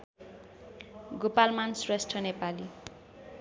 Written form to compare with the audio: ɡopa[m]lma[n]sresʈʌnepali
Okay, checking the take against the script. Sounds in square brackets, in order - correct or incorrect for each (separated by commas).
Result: incorrect, correct